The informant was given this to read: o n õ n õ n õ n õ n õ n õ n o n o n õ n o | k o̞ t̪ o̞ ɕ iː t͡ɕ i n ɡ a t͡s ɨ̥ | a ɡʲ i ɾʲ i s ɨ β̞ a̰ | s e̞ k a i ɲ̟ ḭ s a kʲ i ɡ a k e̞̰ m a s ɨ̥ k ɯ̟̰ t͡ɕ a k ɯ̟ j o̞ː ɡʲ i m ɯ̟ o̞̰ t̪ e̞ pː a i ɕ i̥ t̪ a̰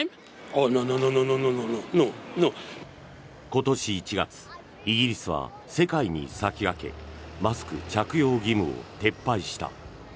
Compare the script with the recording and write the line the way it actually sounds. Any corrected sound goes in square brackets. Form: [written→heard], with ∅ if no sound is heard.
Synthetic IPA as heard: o n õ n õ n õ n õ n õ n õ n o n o n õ n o | k o̞ t̪ o̞ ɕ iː t͡ɕ i [n→∅] ɡ a t͡s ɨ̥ | [a→i] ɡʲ i ɾʲ i s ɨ β̞ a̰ | s e̞ k a i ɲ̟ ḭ s a kʲ i ɡ a k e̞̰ m a s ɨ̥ k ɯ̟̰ t͡ɕ a k ɯ̟ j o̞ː ɡʲ i m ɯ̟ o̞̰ t̪ e̞ pː a i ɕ i̥ t̪ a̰